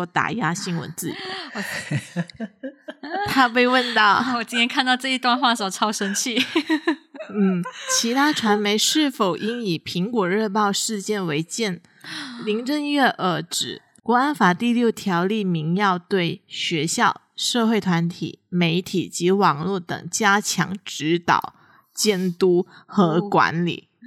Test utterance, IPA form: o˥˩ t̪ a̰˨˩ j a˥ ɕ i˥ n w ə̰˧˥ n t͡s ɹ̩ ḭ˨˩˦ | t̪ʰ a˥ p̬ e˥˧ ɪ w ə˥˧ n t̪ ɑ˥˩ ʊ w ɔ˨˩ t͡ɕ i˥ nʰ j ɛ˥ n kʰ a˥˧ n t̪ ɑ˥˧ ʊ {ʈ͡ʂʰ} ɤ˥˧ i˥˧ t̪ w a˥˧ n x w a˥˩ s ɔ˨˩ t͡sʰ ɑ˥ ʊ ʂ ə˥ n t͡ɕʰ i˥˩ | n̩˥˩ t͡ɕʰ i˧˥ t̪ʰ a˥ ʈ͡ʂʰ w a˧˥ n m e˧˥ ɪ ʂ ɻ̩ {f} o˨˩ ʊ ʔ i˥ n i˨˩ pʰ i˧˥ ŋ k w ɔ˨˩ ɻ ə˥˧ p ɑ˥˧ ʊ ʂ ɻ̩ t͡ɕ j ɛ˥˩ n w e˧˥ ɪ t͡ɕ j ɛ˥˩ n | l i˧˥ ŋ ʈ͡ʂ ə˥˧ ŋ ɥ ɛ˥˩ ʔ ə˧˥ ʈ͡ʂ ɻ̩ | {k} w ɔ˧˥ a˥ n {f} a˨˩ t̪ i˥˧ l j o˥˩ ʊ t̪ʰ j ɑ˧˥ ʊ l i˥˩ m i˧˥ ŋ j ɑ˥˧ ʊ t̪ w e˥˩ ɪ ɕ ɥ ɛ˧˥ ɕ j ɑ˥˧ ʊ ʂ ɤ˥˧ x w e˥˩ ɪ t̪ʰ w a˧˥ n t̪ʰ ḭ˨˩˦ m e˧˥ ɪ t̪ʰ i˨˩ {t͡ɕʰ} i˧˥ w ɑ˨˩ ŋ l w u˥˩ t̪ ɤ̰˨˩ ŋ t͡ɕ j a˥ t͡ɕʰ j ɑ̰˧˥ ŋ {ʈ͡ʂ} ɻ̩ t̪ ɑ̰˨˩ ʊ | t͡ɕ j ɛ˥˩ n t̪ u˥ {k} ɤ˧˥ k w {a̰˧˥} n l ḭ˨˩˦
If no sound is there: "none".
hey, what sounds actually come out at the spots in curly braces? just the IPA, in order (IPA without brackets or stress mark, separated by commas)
ʈ͡ʂ, f, k, f, t͡ɕ, ʈ͡ʂ, x, a̰˧˥